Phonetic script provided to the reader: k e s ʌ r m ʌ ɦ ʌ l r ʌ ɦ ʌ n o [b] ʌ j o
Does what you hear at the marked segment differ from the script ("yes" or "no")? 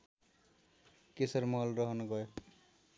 yes